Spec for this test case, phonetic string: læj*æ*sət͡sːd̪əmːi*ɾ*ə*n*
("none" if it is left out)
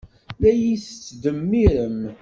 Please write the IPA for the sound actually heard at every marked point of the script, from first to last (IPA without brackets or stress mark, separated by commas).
i, ɾ, m